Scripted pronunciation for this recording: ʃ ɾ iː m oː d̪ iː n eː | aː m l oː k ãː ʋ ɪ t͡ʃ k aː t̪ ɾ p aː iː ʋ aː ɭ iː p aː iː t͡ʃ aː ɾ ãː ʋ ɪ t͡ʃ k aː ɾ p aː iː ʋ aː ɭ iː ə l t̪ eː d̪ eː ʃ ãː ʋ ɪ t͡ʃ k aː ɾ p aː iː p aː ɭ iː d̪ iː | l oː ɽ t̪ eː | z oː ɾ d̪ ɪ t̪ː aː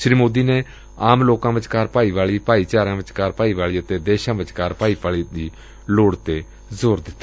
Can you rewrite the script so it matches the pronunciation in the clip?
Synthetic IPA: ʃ ɾ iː m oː d̪ iː n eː | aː m l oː k ãː ʋ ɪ t͡ʃ k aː ɾ p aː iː ʋ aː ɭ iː p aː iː t͡ʃ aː ɾ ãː ʋ ɪ t͡ʃ k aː ɾ p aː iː ʋ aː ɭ iː ə t̪ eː d̪ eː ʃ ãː ʋ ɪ t͡ʃ k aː ɾ p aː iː p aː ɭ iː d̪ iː | l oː ɽ t̪ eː | z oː ɾ d̪ ɪ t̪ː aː